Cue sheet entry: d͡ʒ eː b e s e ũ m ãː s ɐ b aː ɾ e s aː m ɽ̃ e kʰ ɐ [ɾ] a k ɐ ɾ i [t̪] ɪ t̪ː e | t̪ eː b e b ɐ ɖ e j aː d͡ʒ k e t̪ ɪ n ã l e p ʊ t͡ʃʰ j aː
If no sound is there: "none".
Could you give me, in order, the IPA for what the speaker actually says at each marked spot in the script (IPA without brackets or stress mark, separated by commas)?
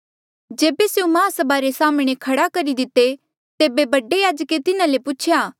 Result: ɽ, d̪